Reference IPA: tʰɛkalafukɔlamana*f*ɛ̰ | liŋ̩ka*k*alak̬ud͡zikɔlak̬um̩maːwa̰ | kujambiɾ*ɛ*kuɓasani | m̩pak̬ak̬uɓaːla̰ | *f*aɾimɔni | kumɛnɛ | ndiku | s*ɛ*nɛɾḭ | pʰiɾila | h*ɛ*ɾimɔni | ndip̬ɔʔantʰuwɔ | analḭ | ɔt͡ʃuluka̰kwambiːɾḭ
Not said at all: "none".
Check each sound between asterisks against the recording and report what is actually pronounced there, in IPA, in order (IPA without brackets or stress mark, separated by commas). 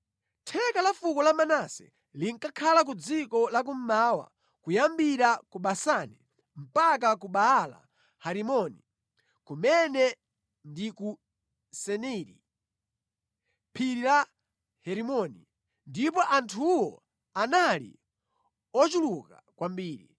s, kʰ, a, h, ɛ, ɛ